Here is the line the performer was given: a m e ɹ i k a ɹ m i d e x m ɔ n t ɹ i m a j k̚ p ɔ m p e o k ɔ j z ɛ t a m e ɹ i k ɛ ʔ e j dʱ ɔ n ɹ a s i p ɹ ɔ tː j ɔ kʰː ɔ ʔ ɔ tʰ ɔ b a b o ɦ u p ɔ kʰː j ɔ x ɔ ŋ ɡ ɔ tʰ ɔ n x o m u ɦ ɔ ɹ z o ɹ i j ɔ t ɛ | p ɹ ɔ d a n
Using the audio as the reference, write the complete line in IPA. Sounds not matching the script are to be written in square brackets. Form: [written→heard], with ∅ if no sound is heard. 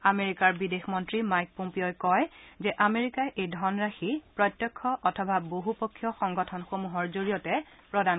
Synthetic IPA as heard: a m e ɹ i k a ɹ [m→b] i d e x m ɔ n t ɹ i m a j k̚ p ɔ m p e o k ɔ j z ɛ [t→ʔ] a m e ɹ i k [ɛ→a] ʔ e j dʱ ɔ n ɹ a [s→x] i p ɹ ɔ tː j ɔ kʰː ɔ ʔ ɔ tʰ ɔ b a b o ɦ u p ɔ kʰː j ɔ x ɔ ŋ ɡ ɔ tʰ ɔ n x o m u ɦ ɔ ɹ z o ɹ i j ɔ t ɛ | p ɹ ɔ d a n